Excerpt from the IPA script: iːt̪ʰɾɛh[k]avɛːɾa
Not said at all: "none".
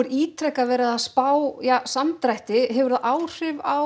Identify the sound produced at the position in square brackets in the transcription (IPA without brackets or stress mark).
k